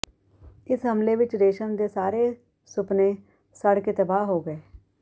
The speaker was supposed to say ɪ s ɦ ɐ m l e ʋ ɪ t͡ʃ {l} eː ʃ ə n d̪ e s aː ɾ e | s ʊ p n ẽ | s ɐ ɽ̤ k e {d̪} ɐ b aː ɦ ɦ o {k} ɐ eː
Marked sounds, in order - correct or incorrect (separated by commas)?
incorrect, incorrect, incorrect